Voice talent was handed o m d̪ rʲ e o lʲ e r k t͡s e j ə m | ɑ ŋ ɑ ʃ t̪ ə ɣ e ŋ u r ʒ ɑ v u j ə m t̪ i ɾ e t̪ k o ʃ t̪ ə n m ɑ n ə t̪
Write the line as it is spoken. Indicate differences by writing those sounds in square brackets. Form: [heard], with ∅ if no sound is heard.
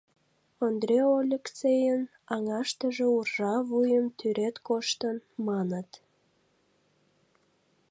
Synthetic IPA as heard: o [n] d̪ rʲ e o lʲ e [∅] k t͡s e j ə [n] | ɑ ŋ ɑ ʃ t̪ ə [ʒ] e [∅] u r ʒ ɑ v u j ə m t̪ [y] ɾ e t̪ k o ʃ t̪ ə n m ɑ n ə t̪